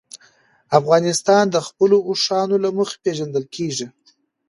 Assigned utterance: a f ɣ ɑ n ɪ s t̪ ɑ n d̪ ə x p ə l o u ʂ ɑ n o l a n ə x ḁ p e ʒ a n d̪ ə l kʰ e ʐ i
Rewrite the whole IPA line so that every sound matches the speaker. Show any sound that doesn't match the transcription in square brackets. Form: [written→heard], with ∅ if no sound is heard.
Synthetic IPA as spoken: a f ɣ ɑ n ɪ s t̪ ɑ n d̪ ə x p ə l o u ʂ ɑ n o l a [n→m] ə x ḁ p e ʒ a n d̪ ə l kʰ e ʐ i